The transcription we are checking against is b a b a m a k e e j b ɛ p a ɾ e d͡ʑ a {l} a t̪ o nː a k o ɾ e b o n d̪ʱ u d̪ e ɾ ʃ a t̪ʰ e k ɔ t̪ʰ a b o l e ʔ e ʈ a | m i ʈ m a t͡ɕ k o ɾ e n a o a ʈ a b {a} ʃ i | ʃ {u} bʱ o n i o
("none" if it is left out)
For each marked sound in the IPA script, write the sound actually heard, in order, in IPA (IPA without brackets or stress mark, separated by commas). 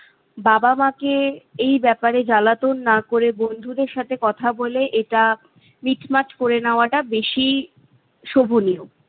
l, e, o